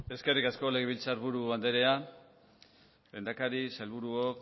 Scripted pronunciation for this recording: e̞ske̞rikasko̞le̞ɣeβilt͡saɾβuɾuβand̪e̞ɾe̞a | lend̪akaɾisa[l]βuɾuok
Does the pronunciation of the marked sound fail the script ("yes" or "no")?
no